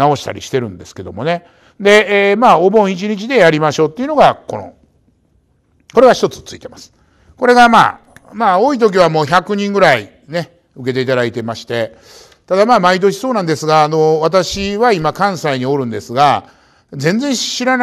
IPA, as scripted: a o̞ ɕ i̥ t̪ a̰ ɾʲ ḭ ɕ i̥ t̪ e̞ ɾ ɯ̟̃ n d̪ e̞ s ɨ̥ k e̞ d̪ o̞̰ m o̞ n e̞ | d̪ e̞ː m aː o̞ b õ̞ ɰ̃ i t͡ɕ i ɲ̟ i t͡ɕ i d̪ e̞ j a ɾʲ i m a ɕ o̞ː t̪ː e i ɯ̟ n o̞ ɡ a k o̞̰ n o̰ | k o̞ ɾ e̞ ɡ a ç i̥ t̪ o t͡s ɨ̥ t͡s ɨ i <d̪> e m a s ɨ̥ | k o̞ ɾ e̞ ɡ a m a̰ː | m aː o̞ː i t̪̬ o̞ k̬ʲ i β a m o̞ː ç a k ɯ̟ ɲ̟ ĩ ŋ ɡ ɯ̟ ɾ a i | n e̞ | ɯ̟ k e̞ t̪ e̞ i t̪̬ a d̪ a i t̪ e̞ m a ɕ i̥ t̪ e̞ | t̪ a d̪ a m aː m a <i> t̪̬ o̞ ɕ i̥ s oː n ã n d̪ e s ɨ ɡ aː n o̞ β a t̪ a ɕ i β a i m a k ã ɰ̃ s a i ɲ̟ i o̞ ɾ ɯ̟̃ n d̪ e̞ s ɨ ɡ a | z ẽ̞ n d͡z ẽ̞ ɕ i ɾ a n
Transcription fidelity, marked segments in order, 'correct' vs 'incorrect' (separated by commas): incorrect, correct